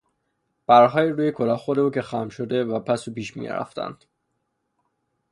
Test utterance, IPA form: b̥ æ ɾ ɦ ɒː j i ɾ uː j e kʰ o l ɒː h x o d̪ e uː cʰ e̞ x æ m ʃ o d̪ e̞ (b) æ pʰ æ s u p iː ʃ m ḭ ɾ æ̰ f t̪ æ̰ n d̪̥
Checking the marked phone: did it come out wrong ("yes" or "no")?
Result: yes